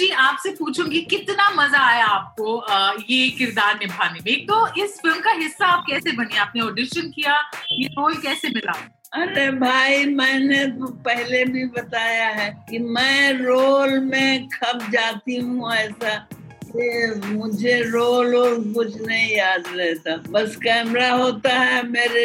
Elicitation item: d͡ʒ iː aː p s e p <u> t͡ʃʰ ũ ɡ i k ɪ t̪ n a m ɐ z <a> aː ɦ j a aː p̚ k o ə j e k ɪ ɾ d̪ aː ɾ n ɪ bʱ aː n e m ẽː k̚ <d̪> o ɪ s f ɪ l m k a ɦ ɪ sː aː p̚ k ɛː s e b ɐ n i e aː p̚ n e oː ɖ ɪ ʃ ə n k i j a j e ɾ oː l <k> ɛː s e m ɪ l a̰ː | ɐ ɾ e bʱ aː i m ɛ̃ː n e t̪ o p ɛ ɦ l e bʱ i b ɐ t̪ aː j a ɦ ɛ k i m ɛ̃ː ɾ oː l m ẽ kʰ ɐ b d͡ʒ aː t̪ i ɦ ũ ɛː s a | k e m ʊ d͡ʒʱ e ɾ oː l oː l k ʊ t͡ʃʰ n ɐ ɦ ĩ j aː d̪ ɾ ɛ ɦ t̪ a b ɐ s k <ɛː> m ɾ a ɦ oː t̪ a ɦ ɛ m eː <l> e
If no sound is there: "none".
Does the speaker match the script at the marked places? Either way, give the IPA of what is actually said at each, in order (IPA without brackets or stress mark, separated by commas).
uː, a, t̪, k, ɛː, ɾ